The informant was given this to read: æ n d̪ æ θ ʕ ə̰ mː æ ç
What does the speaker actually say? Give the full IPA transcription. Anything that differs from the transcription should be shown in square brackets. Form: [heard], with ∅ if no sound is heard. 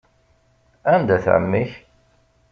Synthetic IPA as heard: æ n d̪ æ θ ʕ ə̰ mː [i] ç